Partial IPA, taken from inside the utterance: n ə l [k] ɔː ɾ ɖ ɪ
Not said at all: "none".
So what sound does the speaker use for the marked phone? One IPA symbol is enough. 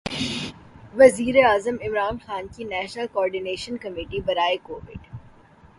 k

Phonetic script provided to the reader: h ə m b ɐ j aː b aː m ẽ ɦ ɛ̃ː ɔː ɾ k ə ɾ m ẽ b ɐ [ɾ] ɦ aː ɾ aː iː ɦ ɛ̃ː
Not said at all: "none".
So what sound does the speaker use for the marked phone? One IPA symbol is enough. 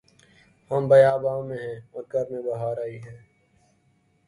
none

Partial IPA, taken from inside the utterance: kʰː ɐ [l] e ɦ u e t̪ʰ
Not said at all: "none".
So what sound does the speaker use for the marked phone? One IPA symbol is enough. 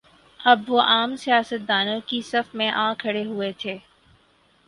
ɽ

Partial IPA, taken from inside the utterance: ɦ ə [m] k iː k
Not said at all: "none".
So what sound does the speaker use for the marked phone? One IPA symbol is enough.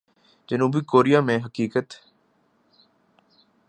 none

